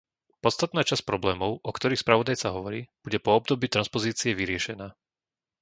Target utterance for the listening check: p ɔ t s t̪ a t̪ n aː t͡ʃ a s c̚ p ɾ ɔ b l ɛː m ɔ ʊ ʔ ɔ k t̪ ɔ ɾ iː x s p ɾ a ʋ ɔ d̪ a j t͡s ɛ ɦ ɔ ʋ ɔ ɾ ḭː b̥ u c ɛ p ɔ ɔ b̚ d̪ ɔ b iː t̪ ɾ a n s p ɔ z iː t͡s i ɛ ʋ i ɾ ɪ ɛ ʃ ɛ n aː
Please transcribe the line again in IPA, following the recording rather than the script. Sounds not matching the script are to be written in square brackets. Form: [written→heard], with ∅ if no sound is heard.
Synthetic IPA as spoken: p ɔ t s t̪ a t̪ n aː t͡ʃ a s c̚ p ɾ ɔ b l ɛː m ɔ ʊ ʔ ɔ k t̪ ɔ ɾ iː x s p ɾ a ʋ ɔ d̪ a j t͡s [ɛ→a] ɦ ɔ ʋ ɔ ɾ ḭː b̥ u [c→ɟ] ɛ p ɔ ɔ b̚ d̪ ɔ b iː t̪ ɾ a n s p ɔ z iː t͡s i ɛ ʋ i ɾ ɪ ɛ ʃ ɛ n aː